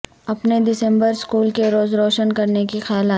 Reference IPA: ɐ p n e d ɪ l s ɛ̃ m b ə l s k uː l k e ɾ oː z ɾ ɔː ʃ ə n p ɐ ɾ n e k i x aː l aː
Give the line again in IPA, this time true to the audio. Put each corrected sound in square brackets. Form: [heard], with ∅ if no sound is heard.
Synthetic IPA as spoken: ɐ p n e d ɪ [∅] s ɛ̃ m b ə [ɾ] s k uː l k e ɾ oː z ɾ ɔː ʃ ə n [k] ɐ ɾ n e k i x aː l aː